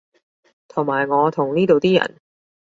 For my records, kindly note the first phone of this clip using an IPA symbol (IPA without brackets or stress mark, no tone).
t̪ʰ